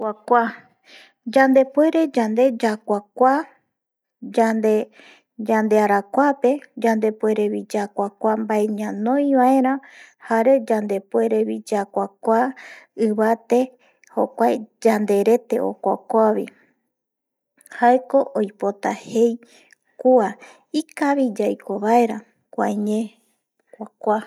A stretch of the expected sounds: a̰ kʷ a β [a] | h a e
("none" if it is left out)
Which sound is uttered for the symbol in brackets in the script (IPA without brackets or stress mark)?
i